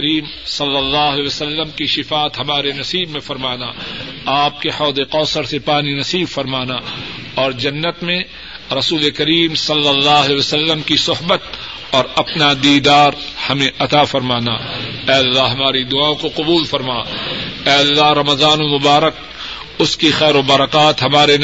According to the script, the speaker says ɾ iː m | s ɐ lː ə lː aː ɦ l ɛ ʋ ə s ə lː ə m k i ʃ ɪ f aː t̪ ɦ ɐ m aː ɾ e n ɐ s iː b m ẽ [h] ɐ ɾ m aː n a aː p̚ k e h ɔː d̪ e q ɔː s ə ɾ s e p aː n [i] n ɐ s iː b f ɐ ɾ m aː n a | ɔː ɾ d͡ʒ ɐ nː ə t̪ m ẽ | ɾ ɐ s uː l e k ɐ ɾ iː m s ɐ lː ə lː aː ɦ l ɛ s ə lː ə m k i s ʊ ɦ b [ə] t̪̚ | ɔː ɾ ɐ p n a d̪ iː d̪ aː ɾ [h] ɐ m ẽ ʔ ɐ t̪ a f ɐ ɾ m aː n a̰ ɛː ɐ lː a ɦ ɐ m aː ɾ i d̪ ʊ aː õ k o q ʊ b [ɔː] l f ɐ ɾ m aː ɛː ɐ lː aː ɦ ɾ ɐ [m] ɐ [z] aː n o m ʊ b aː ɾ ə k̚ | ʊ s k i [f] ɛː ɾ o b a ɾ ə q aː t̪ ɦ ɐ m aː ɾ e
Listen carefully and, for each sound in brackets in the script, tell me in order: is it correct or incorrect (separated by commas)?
incorrect, correct, correct, correct, incorrect, correct, correct, incorrect